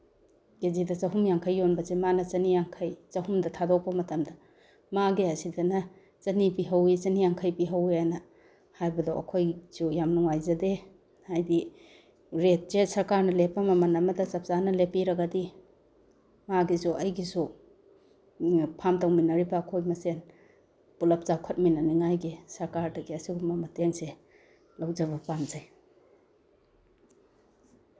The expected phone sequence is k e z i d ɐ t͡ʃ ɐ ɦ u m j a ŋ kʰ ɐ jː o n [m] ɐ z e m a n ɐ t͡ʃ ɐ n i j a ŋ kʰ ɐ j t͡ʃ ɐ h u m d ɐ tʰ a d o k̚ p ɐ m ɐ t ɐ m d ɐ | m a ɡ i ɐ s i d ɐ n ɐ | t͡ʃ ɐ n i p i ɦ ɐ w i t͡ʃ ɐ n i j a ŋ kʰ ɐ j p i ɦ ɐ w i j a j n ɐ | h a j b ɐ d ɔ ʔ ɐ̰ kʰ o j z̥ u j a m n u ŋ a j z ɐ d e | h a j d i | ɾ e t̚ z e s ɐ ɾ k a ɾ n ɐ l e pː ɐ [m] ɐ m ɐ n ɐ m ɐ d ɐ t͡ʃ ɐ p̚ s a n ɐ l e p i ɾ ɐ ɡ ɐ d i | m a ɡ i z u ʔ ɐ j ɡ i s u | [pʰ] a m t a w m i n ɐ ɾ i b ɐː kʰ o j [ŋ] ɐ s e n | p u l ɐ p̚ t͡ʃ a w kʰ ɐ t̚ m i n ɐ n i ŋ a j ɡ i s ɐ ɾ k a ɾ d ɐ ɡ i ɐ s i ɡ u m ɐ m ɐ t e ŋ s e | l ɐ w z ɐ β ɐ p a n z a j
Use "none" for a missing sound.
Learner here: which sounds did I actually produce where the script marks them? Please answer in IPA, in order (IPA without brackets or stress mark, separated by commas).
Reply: b, m, pʰ, m